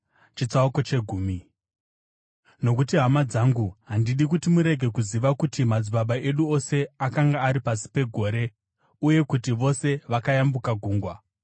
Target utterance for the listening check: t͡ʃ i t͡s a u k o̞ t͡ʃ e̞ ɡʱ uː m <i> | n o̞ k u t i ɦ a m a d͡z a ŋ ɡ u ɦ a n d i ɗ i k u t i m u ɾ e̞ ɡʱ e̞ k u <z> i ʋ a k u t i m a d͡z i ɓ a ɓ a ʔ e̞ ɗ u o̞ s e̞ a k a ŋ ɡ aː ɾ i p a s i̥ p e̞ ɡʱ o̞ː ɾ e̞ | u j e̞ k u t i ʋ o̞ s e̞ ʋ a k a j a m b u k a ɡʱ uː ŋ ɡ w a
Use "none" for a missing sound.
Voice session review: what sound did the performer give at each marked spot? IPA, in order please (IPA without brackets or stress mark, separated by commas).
i, z